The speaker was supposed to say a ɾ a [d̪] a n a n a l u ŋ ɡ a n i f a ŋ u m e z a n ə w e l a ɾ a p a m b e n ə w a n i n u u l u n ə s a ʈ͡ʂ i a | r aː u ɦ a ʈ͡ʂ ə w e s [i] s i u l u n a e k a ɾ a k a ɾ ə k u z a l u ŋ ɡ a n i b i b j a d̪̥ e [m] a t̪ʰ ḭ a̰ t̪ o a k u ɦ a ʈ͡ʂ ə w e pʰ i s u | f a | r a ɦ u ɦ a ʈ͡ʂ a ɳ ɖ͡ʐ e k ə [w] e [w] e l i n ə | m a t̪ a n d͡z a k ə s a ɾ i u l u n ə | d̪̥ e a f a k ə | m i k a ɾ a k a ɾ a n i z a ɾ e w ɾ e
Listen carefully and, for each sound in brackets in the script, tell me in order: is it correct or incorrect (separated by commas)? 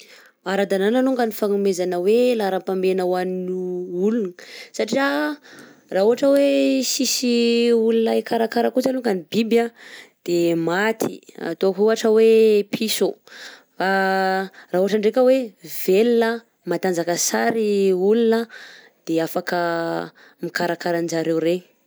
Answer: correct, correct, correct, correct, incorrect